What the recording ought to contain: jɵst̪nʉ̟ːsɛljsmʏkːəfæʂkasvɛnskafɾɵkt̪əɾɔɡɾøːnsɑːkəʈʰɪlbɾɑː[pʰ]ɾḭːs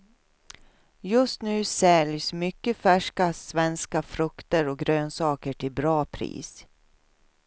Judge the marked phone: correct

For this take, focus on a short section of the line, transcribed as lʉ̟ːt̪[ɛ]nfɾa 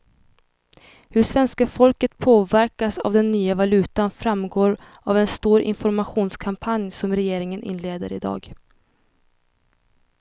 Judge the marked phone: incorrect: a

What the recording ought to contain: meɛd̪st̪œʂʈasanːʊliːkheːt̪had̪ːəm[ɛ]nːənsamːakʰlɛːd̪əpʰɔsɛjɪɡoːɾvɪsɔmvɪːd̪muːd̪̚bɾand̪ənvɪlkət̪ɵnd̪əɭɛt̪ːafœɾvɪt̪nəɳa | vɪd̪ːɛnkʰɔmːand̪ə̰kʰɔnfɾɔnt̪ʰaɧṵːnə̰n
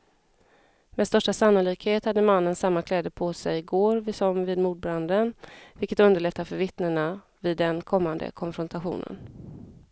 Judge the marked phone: incorrect: a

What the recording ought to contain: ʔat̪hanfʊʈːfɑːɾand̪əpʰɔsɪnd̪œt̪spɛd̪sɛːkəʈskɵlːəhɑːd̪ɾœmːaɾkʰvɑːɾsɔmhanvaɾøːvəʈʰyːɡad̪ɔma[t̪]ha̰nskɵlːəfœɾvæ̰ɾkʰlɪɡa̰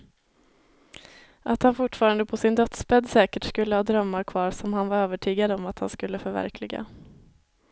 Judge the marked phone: correct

